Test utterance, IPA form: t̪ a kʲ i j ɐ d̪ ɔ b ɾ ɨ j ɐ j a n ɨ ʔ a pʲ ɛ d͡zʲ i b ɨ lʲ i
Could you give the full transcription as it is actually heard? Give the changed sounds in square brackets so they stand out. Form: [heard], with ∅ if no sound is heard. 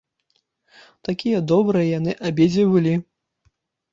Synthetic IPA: t̪ a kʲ i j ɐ d̪ ɔ b ɾ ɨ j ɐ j a n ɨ ʔ a [bʲ] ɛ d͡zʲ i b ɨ lʲ i

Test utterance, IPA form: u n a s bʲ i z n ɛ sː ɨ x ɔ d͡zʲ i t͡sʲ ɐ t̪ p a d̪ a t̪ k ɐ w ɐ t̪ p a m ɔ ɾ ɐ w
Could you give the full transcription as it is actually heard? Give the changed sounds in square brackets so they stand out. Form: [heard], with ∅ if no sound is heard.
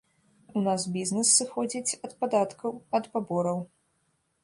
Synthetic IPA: u n a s bʲ i z n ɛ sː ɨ x ɔ d͡zʲ i t͡sʲ ɐ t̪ p a d̪ a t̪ k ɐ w ɐ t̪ p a [b] ɔ ɾ ɐ w

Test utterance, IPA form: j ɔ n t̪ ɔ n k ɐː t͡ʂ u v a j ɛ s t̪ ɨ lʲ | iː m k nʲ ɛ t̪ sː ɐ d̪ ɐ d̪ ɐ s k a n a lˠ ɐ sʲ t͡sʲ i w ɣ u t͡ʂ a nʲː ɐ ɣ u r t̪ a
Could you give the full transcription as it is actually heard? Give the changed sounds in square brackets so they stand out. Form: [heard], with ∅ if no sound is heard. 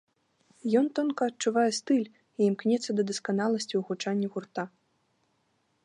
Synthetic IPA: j ɔ n t̪ ɔ n k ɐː t͡ʂ u v a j ɛ s t̪ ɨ lʲ | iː m k nʲ ɛ t̪ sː ɐ d̪ ɐ d̪ ɐ s k a n a lˠ ɐ sʲ t͡sʲ i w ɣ u t͡ʂ a nʲː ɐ ɣ u r t̪ a

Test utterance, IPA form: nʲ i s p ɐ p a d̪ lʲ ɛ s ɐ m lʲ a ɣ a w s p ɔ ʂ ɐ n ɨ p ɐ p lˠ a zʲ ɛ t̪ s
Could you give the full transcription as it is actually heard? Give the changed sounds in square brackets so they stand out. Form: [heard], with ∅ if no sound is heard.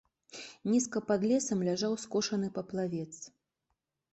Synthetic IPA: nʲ i s [k] ɐ p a d̪ lʲ ɛ s ɐ m lʲ a [ʐ] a w s [k] ɔ ʂ ɐ n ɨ p ɐ p lˠ a [vʲ] ɛ t̪ s

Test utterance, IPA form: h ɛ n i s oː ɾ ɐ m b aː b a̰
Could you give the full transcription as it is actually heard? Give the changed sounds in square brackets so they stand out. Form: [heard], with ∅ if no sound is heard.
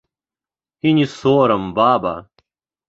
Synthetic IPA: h [i] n i s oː ɾ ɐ m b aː b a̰

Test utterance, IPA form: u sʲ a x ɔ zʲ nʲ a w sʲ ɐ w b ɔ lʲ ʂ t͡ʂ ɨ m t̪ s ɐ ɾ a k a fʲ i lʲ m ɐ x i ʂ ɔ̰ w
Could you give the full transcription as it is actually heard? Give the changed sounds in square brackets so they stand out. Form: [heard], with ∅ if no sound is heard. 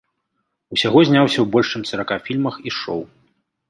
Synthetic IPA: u sʲ a [ɣ] ɔ zʲ nʲ a w sʲ ɐ w b ɔ lʲ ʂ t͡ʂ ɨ m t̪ s ɐ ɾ a k a fʲ i lʲ m ɐ x i ʂ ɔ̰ w

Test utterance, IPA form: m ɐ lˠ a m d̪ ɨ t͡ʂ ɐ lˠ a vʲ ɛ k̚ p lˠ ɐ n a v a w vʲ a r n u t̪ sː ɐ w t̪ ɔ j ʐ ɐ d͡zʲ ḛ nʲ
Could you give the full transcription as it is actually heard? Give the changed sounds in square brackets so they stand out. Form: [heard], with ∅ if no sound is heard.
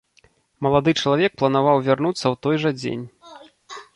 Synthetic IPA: m ɐ lˠ a [∅] d̪ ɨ t͡ʂ ɐ lˠ a vʲ ɛ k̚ p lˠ ɐ n a v a w vʲ a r n u t̪ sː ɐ w t̪ ɔ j ʐ ɐ d͡zʲ ḛ nʲ

